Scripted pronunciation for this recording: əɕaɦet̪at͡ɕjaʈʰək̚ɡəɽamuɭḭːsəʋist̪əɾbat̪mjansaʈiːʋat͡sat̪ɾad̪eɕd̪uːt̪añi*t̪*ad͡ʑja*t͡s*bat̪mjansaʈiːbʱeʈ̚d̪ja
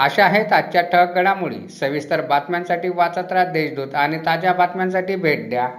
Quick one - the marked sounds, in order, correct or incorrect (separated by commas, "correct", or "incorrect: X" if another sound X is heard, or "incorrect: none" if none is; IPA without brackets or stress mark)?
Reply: correct, incorrect: none